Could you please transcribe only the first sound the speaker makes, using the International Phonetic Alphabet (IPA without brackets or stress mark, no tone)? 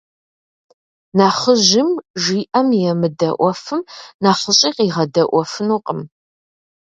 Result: n